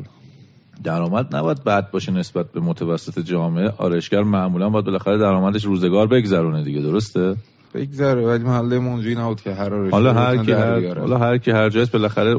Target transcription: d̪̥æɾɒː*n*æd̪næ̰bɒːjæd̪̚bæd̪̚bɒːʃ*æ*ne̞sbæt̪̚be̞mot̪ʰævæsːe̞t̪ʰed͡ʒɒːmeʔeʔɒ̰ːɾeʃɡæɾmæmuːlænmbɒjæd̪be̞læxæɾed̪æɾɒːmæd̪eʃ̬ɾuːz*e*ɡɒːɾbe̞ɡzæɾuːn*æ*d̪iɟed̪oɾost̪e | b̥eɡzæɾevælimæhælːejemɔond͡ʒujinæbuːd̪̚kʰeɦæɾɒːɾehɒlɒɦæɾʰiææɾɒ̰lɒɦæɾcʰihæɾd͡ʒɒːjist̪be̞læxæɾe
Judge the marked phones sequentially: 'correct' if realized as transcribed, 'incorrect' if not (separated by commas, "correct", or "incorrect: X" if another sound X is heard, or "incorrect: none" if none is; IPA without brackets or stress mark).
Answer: incorrect: m, incorrect: e, correct, incorrect: e